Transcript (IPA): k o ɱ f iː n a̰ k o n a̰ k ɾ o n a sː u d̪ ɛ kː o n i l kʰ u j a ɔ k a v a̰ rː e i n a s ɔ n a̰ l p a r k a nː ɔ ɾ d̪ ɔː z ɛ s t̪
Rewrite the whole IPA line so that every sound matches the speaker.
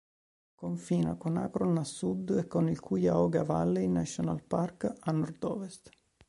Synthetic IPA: k o ɱ f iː n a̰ k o n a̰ k ɾ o n a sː u d̪ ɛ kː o n i l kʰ u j a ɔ ɡ a v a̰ lː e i n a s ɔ n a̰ l p a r k a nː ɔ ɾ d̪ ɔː v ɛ s t̪